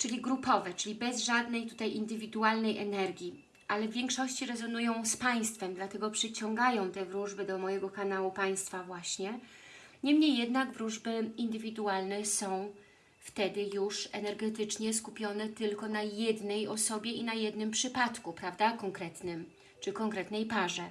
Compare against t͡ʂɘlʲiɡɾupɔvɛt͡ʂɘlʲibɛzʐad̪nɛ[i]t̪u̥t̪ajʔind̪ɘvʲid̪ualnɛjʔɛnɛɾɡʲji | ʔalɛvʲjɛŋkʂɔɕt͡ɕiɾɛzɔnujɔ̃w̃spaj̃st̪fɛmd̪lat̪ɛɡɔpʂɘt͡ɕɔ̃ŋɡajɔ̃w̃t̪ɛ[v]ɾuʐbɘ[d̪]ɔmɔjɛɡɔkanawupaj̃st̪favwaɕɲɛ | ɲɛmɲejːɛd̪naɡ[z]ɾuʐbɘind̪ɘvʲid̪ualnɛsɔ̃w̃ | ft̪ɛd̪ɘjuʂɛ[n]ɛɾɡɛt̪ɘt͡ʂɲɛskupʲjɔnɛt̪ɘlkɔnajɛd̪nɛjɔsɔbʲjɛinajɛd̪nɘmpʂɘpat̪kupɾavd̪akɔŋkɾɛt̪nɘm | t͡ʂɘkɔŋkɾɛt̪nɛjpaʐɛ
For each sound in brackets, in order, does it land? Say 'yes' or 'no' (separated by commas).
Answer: no, yes, yes, no, yes